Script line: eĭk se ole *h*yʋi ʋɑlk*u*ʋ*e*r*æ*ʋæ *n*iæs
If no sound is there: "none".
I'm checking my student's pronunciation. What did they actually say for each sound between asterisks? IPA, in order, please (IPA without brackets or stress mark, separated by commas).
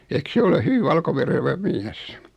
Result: h, o, e, e, m